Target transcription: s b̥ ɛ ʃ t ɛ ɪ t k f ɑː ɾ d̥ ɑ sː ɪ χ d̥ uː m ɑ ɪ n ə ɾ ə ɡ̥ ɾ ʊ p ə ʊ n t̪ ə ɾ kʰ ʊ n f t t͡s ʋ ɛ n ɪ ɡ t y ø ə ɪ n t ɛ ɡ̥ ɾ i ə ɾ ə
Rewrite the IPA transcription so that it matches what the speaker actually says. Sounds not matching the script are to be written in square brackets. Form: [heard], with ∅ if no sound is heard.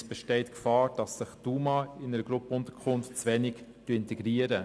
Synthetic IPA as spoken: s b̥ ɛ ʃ t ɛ ɪ t k f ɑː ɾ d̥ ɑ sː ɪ χ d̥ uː m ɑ ɪ n ə ɾ ə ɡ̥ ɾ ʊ p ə ʊ n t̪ ə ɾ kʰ ʊ n f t t͡s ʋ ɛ n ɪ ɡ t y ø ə ɪ n t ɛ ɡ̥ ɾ i ə ɾ ə